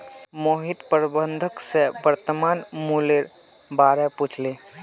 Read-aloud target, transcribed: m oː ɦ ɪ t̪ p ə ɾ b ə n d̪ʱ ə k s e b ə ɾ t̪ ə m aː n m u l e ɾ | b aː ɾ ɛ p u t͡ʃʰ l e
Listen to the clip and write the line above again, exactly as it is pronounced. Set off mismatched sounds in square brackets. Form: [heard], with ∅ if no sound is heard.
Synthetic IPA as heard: m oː ɦ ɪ t̪ p ə ɾ b ə n d̪ʱ ə k s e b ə ɾ t̪ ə m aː n m u l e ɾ | b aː ɾ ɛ p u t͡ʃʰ l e